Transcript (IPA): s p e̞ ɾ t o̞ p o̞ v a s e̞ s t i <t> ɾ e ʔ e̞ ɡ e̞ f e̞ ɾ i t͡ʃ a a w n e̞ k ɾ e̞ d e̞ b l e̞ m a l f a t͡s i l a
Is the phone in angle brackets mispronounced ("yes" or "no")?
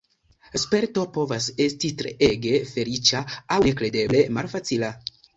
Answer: no